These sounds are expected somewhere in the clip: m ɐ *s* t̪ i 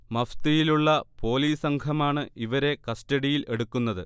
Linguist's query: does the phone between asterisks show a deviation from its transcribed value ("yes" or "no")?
yes